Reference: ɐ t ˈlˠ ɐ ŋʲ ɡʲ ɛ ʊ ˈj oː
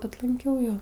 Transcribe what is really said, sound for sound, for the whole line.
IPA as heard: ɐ t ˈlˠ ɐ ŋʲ kʲ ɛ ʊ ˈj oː

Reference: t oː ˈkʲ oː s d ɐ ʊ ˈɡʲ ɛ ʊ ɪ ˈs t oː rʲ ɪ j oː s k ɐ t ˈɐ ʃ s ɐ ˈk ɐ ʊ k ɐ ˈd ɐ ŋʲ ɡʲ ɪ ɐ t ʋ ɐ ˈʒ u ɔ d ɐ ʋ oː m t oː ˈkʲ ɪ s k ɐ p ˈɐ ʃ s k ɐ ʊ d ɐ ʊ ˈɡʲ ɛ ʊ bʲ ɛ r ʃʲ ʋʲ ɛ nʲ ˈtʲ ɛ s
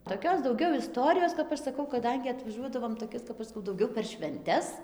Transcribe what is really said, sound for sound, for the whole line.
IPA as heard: t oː ˈkʲ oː s d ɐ ʊ ˈɡʲ ɛ ʊ ɪ ˈs t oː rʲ ɪ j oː s k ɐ p ˈɐ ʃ s ɐ ˈk ɐ ʊ k ɐ ˈd ɐ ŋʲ ɡʲ ɪ ɐ t ʋ ɐ ˈʒ u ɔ d ɐ ʋ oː m t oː ˈkʲ ɪ s k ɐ p ˈɐ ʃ s k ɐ ʊ d ɐ ʊ ˈɡʲ ɛ ʊ pʲ ɛ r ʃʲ ʋʲ ɛ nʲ ˈtʲ ɛ s

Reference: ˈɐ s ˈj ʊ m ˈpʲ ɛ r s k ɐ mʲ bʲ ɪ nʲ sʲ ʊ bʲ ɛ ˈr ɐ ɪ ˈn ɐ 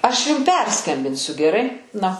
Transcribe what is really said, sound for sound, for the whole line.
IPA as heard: ˈɐ ʃ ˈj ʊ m ˈpʲ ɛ r s k ɐ mʲ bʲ ɪ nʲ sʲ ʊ ɡʲ ɛ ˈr ɐ ɪ ˈn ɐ

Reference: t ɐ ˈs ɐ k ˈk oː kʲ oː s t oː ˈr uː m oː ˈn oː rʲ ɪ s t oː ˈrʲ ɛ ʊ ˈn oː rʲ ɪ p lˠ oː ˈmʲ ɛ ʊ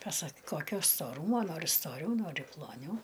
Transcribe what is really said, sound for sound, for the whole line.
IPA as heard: p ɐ ˈs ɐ k ˈk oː kʲ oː s t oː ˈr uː m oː ˈn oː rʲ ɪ s t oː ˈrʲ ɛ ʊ ˈn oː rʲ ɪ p lˠ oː ˈnʲ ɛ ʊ

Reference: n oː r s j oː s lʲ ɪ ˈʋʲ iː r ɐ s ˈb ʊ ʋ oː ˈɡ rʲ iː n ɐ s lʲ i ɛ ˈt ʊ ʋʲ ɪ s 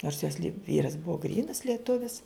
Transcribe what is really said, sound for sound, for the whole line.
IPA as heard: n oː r s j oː s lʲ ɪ ˈʋʲ iː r ɐ s ˈb ʊ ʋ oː ˈɡ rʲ iː n ɐ s lʲ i ɛ ˈt ʊ ʋʲ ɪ s

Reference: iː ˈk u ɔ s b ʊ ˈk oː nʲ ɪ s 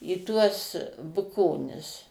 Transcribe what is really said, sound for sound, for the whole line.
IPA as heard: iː ˈt u ɔ s b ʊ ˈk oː nʲ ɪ s

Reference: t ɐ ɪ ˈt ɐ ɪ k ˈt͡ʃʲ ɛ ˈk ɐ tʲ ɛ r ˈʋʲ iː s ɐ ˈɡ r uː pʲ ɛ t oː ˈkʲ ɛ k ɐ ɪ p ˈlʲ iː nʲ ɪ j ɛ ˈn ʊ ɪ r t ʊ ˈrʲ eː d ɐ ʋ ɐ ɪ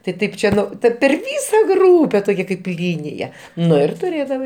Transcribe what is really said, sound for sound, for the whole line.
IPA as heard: t ɐ ɪ ˈt ɐ ɪ p ˈt͡ʃʲ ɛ ˈt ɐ pʲ ɛ r ˈʋʲ iː s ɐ ˈɡ r uː pʲ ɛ t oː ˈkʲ ɛ k ɐ ɪ p ˈlʲ iː nʲ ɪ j ɛ ˈn ʊ ɪ r t ʊ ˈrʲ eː d ɐ ʋ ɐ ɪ

